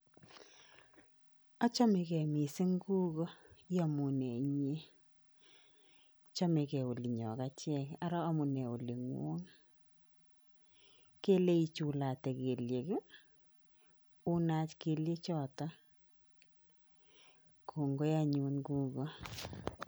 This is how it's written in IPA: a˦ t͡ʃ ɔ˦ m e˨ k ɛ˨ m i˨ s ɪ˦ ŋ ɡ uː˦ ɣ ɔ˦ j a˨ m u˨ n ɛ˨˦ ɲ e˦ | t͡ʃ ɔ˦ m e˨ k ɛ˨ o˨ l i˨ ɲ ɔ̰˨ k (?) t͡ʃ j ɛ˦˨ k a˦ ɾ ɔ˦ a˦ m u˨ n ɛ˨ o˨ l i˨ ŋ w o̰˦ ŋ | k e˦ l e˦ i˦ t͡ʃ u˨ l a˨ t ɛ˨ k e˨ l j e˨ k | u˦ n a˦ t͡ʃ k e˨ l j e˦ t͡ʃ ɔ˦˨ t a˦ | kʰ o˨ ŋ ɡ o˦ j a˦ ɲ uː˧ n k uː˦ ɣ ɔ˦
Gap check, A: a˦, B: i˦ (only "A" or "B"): A